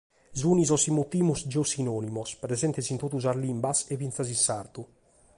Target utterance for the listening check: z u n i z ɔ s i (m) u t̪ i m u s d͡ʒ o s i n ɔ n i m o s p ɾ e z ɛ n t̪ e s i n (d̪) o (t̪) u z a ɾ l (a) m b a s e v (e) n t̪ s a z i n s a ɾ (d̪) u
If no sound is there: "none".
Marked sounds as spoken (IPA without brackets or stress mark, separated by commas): m, t̪, t̪, i, i, t̪